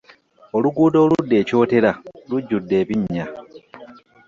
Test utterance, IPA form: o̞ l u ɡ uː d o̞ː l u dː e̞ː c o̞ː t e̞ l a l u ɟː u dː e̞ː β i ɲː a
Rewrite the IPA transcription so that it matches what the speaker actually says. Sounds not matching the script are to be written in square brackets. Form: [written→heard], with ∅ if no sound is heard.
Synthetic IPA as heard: o̞ l u ɡ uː d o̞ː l u dː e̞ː c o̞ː t e̞ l a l u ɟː u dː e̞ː β i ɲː a